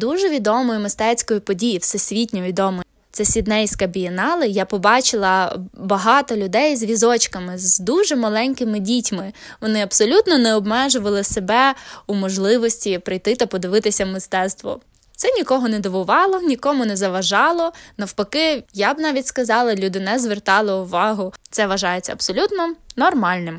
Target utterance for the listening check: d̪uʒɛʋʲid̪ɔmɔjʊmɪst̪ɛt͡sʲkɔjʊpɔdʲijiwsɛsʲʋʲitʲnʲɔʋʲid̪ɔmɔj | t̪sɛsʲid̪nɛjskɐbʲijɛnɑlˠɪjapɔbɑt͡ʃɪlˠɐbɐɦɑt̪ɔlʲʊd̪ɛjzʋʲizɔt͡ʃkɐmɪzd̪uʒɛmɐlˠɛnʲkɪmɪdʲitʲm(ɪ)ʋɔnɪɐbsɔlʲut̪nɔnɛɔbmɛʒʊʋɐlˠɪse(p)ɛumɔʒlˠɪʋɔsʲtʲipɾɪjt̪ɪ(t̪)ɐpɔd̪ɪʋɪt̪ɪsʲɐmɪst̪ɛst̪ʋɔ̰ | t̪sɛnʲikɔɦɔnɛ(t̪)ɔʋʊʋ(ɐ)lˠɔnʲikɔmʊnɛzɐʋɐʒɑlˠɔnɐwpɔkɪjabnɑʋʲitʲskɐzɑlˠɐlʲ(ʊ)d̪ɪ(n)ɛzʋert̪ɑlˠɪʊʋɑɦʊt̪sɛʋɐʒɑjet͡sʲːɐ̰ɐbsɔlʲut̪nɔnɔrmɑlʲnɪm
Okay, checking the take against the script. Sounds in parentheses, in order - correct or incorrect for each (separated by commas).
correct, incorrect, correct, incorrect, incorrect, incorrect, correct